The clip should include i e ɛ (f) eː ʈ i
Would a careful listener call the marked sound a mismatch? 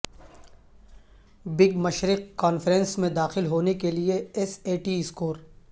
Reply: yes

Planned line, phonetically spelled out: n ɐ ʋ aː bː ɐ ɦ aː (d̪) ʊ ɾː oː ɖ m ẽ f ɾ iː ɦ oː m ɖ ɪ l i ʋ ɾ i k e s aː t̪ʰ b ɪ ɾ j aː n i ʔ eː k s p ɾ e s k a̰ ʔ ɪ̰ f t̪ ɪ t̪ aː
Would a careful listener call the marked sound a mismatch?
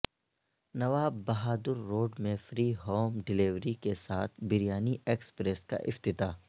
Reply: no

